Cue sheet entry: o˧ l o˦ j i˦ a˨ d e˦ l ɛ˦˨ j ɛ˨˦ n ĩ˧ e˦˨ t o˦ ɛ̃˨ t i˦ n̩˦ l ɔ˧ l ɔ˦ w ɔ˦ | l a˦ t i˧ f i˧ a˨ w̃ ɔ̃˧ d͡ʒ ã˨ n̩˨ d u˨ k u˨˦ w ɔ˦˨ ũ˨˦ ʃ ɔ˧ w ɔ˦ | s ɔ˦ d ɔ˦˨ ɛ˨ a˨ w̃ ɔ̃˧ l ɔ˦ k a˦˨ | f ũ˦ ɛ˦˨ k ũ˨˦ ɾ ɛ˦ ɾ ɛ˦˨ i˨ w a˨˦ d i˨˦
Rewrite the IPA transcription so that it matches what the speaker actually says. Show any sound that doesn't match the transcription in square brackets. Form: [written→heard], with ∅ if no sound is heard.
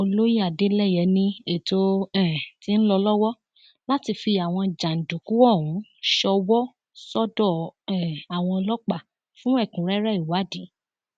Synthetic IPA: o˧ l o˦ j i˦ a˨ d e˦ l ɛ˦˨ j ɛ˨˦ n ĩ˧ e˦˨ t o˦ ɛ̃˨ t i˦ n̩˦ l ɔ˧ l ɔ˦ w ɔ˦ | l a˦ t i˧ f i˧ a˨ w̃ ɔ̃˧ d͡ʒ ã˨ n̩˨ d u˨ k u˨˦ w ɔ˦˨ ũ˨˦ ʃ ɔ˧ w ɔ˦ | s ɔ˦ d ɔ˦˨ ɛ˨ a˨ w̃ ɔ̃˧ l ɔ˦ [k→k͡p] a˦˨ | f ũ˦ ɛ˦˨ k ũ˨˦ ɾ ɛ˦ ɾ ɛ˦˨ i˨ w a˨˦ d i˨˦